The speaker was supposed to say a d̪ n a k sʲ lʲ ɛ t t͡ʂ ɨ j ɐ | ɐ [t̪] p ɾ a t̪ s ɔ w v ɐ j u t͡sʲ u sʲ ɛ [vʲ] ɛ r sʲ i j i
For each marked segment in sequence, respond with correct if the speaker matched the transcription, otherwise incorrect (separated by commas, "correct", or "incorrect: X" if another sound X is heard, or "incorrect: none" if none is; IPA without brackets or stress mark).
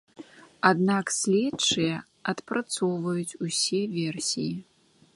correct, correct